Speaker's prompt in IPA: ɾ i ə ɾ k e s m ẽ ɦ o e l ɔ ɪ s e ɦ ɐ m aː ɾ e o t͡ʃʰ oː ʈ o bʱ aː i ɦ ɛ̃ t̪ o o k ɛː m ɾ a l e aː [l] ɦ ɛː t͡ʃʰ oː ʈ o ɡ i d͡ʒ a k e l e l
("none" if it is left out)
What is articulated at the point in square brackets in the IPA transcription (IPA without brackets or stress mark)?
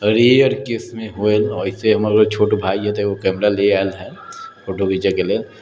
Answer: l